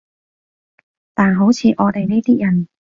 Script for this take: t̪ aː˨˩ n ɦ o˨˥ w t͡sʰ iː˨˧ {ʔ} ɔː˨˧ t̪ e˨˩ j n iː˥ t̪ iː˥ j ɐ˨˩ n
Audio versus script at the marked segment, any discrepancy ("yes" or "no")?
no